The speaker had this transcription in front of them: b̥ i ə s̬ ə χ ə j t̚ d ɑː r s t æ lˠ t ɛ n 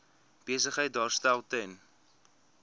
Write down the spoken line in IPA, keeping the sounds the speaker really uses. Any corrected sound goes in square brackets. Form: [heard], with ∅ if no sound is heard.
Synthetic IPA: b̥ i ə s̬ ə χ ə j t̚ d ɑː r s t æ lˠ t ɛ n